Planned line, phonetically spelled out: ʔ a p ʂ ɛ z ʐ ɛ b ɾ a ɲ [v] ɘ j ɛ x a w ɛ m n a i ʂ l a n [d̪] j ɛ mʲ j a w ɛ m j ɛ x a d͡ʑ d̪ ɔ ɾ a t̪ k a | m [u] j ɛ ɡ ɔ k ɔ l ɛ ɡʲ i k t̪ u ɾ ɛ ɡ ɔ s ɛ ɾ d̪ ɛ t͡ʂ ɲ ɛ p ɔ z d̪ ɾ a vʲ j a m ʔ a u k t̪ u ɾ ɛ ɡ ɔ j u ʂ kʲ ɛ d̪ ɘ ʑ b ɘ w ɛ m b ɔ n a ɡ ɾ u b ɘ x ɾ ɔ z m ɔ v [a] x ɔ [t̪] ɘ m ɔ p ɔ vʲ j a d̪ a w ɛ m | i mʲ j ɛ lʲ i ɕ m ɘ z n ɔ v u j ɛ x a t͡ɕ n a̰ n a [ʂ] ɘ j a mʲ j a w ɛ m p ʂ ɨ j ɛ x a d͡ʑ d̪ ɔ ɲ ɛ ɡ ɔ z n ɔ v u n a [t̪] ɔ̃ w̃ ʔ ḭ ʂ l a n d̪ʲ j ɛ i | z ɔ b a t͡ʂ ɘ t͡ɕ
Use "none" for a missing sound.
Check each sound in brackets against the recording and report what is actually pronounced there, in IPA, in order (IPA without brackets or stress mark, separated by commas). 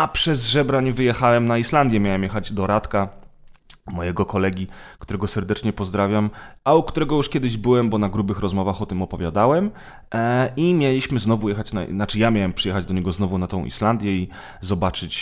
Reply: v, d̪, ɔ, a, t̪, t͡ʂ, t̪